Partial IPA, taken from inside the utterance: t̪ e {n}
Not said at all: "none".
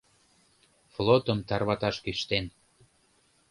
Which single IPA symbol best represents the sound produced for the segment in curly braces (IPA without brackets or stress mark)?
n